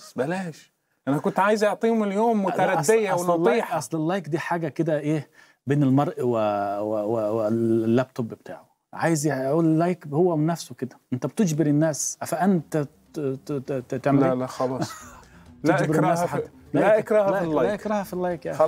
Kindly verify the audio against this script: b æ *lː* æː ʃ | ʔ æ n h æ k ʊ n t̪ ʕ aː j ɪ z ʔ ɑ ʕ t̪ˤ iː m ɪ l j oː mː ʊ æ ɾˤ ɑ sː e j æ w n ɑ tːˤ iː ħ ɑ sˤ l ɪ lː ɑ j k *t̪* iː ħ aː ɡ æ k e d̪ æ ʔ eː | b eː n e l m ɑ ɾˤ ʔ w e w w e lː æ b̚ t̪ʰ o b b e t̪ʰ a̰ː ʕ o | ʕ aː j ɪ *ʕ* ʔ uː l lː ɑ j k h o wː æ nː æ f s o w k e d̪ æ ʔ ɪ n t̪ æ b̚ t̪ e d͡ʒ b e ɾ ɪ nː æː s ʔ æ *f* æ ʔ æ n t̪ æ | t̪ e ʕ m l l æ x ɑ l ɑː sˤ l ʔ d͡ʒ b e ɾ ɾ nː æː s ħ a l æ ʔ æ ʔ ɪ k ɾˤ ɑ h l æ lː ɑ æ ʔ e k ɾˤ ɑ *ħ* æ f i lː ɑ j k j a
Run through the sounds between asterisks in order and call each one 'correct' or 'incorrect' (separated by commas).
incorrect, incorrect, incorrect, correct, incorrect